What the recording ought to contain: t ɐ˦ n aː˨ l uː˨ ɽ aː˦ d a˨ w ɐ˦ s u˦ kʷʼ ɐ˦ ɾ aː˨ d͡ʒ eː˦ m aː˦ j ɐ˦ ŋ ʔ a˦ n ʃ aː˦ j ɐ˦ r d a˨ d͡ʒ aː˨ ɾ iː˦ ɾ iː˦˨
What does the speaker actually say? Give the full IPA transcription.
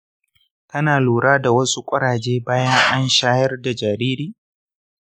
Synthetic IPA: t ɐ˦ n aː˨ l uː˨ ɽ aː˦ d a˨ w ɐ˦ s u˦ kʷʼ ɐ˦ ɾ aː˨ d͡ʒ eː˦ b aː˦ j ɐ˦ ŋ ʔ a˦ n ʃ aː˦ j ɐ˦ r d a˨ d͡ʒ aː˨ ɾ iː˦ ɾ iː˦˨